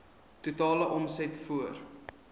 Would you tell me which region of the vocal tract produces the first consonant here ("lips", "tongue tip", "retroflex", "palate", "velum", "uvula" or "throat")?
tongue tip